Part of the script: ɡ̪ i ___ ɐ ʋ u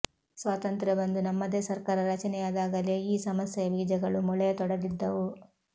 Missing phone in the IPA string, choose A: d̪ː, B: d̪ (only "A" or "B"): A